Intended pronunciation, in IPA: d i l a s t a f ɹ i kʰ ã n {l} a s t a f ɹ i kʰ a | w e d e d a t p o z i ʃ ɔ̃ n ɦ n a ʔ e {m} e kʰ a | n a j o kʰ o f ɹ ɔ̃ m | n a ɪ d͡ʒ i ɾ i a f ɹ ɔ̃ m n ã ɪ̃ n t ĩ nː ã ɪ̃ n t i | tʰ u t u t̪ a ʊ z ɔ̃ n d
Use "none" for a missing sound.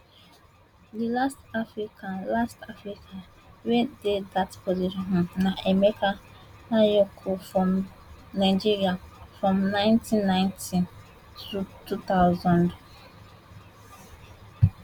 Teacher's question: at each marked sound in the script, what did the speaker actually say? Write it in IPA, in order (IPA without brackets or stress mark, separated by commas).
l, m